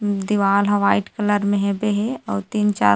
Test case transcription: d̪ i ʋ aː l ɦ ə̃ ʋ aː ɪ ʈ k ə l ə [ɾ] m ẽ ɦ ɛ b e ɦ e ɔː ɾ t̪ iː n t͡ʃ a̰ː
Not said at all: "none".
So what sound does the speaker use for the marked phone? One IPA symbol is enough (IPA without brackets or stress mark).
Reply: ɾ